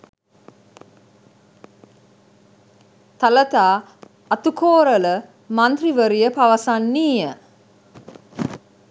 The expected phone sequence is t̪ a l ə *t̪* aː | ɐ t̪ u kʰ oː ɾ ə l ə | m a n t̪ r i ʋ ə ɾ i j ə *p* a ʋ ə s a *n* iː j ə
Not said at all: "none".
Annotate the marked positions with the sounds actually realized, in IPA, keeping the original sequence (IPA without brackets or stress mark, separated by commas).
t̪, p, nː